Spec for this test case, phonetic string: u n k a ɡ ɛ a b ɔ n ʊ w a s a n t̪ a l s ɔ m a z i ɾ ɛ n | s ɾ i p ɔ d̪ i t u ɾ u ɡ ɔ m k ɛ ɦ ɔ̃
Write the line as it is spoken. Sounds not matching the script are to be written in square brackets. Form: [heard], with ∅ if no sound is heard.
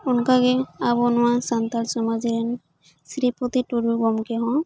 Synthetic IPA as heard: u n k a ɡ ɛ a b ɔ n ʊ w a s a n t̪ a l s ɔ m a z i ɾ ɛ n | s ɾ i p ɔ [t̪] i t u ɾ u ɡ ɔ m k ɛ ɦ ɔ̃